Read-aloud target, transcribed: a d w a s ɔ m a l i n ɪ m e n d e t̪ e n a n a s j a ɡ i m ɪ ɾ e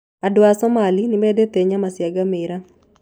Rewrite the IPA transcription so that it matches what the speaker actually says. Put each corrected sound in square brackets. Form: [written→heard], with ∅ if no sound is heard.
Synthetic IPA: a d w a s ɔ m a l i n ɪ m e [n→∅] d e t̪ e [n→ɲ] a [n→m] a s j a ɡ [i→a] m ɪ ɾ [e→a]